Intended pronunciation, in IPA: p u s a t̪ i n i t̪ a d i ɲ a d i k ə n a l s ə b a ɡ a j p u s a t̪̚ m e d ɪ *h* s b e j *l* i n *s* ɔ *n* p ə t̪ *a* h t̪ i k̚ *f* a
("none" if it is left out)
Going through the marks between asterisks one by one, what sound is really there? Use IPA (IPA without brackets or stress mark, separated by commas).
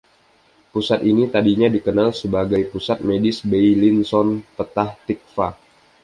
none, l, s, n, a, f